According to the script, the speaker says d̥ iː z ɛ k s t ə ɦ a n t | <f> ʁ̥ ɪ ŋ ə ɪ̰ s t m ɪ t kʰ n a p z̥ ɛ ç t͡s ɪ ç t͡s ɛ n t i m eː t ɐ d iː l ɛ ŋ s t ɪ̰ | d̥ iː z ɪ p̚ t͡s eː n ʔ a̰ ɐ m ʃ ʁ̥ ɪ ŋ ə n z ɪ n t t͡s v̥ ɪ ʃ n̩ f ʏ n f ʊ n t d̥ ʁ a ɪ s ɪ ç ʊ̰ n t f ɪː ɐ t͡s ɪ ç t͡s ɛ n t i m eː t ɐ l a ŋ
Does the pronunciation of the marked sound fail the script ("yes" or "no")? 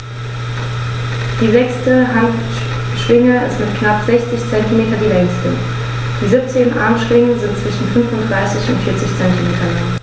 yes